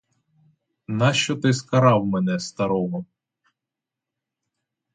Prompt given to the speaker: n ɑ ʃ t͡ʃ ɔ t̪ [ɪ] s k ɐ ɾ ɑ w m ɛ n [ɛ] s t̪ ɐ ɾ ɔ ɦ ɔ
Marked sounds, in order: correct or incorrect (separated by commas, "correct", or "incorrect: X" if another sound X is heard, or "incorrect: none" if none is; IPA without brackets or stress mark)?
correct, correct